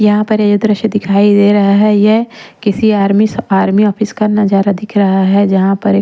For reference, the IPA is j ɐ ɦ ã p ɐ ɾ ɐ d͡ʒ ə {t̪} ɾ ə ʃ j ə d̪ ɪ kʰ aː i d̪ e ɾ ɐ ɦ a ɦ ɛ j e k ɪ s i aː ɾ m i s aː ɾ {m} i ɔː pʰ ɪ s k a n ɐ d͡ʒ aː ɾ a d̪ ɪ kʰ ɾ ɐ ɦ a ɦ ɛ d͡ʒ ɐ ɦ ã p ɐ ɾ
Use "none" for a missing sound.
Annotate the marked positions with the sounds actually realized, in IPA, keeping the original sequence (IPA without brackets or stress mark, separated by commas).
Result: d̪, m